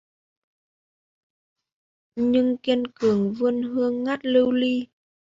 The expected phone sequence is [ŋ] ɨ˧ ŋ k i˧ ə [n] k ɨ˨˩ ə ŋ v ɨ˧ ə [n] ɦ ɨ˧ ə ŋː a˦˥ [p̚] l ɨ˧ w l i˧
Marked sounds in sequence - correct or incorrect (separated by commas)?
incorrect, correct, correct, incorrect